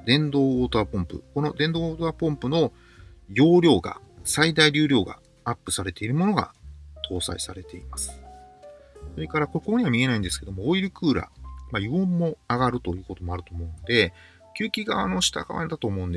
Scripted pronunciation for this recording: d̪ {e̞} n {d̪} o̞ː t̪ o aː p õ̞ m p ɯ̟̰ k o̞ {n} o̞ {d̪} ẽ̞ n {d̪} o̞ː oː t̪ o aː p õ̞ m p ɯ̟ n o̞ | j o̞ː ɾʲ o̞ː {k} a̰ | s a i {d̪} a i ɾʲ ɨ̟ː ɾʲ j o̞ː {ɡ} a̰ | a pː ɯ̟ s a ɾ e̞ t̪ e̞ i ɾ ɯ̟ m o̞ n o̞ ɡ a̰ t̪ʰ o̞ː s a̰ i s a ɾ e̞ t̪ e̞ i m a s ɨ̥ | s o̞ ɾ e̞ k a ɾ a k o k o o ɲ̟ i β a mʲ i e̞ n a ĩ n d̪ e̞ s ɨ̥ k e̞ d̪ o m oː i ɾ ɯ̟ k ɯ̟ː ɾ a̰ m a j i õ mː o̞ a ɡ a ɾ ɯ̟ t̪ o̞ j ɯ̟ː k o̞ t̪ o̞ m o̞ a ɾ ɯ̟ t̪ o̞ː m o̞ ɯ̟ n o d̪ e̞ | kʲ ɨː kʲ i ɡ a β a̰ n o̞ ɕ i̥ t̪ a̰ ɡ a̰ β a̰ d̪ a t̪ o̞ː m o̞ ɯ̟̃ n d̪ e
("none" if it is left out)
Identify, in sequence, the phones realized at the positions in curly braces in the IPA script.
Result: ẽ̞, d̪, n, d̪, d̪, ɡ, d̪, ɡ

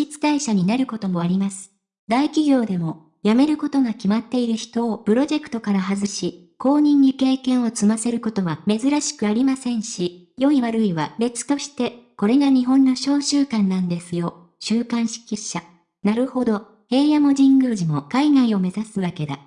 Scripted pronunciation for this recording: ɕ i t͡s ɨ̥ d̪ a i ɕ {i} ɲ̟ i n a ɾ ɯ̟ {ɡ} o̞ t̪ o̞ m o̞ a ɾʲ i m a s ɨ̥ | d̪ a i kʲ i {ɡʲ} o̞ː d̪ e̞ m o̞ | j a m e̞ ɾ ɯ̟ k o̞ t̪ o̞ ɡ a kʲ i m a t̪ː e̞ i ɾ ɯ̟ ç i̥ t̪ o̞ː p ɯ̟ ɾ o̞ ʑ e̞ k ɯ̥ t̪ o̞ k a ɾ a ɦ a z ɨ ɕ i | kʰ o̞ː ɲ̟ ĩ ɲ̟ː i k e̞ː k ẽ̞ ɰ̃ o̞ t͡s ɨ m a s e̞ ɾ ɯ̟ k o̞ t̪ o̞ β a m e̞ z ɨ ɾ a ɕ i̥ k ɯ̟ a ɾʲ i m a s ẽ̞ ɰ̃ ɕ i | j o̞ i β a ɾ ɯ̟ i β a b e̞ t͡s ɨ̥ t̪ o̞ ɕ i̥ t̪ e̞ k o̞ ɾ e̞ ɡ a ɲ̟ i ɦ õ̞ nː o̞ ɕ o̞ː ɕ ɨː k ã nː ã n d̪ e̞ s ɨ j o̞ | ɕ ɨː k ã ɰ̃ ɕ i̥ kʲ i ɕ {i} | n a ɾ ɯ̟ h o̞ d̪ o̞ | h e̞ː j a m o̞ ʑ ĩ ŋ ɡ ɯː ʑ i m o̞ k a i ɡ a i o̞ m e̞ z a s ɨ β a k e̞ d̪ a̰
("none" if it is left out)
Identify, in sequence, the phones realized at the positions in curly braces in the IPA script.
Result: a, k, ɡʲ, a

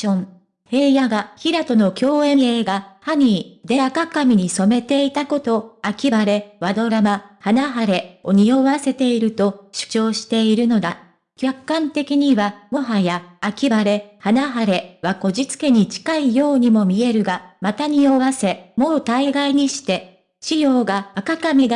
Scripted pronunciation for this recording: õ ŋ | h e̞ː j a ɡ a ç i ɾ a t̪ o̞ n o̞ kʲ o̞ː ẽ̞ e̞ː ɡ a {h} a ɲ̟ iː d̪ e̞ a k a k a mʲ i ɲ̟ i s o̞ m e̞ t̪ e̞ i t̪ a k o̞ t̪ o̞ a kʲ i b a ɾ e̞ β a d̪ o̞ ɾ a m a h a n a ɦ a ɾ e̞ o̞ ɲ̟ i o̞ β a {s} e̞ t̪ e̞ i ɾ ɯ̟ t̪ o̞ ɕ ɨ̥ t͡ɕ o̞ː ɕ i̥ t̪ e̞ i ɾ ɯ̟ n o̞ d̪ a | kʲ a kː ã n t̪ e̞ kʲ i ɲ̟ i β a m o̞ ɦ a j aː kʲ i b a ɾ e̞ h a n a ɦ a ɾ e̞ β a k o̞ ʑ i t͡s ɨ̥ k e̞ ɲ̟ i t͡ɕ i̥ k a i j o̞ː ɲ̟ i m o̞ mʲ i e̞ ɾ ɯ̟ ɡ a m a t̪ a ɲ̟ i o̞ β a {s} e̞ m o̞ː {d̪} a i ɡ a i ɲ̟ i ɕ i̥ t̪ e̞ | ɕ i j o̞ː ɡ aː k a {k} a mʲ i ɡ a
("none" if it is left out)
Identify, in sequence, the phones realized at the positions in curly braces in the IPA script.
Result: h, s, s, t̪, k

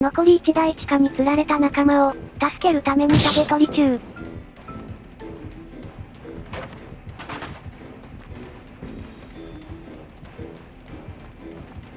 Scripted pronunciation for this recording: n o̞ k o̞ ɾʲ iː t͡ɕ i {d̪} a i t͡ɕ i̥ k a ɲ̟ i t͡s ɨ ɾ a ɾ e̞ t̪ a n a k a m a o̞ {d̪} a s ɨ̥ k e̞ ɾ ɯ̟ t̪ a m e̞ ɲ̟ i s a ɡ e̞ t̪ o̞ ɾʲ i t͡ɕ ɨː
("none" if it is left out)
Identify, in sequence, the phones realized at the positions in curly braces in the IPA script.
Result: d̪, t̪

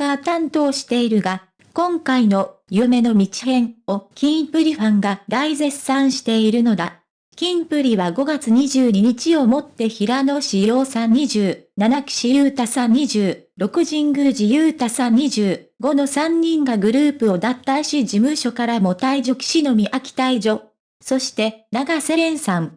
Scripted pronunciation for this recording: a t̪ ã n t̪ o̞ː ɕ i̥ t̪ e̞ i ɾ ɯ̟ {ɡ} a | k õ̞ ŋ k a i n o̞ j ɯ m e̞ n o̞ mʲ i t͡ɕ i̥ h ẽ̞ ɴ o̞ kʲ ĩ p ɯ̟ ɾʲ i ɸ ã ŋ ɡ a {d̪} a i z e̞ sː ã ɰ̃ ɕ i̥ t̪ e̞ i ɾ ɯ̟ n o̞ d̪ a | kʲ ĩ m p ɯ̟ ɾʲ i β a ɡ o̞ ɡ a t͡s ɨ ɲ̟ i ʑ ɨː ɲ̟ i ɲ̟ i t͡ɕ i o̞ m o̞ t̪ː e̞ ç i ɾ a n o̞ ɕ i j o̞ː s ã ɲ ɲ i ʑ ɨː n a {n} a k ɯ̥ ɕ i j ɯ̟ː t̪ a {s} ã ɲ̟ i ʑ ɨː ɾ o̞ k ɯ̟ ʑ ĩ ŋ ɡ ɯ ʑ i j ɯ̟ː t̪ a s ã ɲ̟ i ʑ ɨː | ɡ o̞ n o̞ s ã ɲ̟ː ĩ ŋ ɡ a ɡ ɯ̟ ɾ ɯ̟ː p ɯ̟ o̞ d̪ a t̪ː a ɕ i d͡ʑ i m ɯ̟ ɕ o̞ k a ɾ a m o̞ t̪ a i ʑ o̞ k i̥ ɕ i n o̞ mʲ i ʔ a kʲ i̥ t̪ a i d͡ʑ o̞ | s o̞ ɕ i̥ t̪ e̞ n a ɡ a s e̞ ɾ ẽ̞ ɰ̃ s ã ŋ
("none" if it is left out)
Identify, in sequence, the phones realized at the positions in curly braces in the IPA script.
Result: ɡ, d̪, n, s

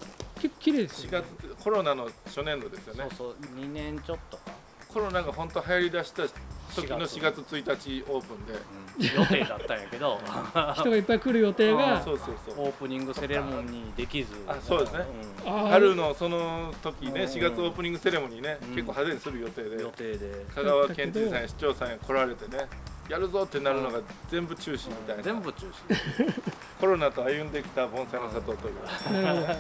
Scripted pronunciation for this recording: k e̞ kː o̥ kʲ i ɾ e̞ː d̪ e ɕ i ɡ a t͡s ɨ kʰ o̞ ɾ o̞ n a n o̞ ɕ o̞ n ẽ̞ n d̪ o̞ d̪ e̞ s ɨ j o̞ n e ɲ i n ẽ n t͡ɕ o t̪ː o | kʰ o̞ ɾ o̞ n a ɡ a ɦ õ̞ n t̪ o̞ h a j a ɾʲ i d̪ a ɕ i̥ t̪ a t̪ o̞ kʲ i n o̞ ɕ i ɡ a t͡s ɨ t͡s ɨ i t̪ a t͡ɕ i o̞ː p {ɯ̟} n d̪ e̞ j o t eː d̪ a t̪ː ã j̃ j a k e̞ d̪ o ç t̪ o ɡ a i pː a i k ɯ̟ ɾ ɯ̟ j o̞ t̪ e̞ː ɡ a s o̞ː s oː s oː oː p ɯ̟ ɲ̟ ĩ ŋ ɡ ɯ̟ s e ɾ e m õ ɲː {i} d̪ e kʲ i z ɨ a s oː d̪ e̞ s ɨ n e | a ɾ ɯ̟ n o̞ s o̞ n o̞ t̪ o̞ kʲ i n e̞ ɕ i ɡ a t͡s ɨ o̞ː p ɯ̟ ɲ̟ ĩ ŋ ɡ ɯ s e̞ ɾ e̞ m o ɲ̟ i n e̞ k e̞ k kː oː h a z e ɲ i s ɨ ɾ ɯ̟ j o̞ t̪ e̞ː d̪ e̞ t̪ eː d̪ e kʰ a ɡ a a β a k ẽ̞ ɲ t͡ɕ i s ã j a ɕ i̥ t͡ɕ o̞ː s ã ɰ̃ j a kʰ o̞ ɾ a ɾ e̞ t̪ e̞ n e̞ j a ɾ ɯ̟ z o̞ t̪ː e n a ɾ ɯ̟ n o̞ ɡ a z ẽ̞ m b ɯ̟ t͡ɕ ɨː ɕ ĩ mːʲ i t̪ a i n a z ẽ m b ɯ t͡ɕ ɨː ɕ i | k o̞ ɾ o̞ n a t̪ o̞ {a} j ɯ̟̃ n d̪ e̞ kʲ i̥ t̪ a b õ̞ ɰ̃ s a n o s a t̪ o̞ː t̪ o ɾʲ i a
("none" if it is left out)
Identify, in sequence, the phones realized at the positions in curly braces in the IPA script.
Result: ɯ̟̃, i, a

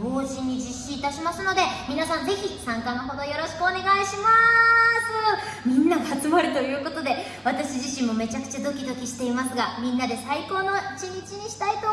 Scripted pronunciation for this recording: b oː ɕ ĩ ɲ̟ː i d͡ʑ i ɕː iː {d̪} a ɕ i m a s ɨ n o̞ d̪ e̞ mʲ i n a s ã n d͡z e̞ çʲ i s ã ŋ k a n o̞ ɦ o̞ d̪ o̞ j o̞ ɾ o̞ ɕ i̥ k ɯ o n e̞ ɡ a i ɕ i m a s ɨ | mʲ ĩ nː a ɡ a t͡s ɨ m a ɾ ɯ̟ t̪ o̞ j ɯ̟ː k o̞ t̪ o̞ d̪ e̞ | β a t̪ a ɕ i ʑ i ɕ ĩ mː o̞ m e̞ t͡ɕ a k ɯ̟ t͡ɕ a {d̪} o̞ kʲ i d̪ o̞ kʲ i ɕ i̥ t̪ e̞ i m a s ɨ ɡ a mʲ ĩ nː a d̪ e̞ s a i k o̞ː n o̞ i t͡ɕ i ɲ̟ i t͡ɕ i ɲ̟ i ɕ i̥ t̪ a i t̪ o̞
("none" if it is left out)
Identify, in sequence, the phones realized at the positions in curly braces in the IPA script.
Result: t̪, d̪

